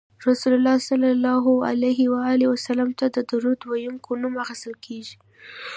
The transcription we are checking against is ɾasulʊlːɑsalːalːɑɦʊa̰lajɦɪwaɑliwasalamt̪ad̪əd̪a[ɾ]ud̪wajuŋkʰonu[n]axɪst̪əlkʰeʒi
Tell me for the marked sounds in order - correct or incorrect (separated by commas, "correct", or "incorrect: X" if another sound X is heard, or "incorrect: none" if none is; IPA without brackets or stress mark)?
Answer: correct, incorrect: m